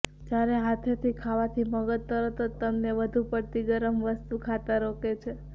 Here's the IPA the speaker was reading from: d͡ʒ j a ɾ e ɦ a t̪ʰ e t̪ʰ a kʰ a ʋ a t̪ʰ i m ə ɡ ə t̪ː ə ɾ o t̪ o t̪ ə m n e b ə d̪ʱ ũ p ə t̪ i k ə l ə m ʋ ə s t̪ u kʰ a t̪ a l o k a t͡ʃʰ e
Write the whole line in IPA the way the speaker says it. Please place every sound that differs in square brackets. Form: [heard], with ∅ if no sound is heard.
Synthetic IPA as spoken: d͡ʒ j a ɾ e ɦ a t̪ʰ e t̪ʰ [i] kʰ a ʋ a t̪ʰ i m ə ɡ ə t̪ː ə ɾ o t̪ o t̪ ə m n e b ə d̪ʱ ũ p ə t̪ i [ɡ] ə [ɾ] ə m ʋ ə s t̪ u kʰ a t̪ a [ɾ] o k [e] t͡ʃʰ e